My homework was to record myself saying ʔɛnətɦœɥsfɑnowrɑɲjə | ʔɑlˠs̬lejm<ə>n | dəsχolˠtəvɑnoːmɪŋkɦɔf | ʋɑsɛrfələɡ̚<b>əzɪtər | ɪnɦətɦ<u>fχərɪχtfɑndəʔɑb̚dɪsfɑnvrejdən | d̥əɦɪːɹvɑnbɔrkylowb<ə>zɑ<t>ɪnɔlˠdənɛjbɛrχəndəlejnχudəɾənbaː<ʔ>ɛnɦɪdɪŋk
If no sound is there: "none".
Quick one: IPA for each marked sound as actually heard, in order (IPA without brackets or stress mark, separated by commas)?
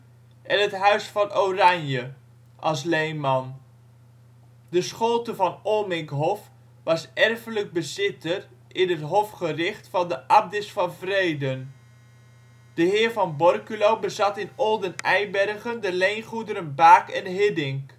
ɑ, b, ɔ, ə, t, k